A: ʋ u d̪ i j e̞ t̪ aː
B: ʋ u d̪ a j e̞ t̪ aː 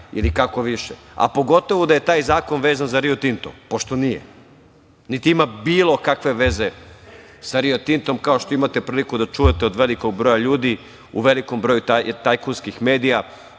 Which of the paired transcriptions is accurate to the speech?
B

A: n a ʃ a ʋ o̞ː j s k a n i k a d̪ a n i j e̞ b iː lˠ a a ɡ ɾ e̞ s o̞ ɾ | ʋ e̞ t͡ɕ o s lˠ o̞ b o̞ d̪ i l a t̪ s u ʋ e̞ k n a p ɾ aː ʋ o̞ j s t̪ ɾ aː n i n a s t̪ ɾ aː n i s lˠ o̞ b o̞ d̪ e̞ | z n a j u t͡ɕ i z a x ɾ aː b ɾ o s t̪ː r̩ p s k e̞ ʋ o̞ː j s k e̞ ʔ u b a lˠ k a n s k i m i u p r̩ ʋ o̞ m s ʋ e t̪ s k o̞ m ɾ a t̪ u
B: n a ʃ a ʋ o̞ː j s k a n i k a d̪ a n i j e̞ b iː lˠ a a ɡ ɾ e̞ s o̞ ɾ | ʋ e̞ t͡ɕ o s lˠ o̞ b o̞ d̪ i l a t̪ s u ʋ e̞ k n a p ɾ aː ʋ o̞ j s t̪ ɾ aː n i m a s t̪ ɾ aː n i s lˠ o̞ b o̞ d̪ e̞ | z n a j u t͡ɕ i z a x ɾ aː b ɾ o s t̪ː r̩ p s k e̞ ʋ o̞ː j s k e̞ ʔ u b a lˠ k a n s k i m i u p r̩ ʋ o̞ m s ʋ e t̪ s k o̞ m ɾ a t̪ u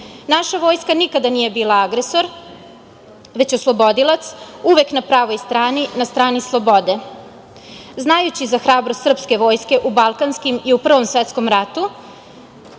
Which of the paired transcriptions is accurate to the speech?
A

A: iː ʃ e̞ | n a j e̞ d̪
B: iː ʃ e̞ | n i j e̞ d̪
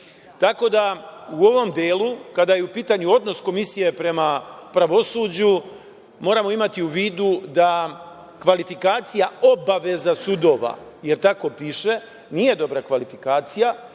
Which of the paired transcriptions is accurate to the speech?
B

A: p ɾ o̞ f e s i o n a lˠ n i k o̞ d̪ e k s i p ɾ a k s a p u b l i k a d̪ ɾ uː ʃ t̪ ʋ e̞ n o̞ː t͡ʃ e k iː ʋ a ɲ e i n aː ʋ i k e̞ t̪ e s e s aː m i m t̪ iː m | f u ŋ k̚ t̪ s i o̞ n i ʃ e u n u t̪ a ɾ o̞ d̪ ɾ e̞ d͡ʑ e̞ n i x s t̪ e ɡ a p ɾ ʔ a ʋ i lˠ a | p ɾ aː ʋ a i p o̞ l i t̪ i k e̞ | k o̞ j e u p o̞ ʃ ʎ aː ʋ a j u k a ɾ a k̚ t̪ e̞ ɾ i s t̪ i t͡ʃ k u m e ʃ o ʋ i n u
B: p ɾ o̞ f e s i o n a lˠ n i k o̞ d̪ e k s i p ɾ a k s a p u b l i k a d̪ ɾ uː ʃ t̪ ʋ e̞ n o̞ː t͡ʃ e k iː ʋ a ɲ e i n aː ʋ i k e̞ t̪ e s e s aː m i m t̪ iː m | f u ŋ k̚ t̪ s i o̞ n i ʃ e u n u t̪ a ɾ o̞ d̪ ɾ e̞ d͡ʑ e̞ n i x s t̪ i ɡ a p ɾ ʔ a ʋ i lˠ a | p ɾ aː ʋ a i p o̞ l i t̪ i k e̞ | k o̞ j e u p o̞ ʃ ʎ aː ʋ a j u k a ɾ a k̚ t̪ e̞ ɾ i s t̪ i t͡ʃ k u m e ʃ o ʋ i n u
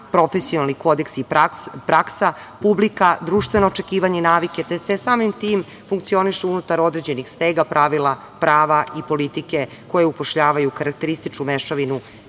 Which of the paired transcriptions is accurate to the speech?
A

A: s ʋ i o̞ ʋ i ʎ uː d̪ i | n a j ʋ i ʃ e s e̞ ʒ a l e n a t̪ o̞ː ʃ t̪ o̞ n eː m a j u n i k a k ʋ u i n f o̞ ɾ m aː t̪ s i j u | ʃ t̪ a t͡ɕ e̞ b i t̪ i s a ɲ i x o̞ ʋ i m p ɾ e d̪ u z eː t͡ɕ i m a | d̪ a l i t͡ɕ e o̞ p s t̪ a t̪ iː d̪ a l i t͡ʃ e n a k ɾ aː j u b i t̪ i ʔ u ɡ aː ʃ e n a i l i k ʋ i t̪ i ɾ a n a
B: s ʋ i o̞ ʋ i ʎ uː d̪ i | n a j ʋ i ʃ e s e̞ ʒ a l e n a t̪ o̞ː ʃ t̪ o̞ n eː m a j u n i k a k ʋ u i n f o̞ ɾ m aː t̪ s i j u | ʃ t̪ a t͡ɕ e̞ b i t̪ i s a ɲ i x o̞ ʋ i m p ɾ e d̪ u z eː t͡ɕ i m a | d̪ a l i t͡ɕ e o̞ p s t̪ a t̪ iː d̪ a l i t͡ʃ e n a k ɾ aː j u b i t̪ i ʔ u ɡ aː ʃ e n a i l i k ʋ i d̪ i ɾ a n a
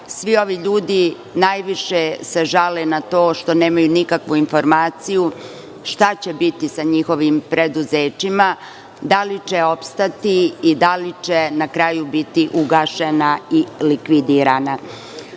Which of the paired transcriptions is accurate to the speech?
B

